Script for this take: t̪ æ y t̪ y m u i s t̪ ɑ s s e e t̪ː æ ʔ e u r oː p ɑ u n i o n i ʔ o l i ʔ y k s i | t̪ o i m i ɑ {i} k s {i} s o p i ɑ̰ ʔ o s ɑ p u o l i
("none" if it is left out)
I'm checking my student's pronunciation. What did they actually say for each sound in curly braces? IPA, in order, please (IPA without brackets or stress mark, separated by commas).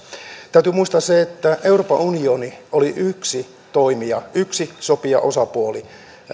y, i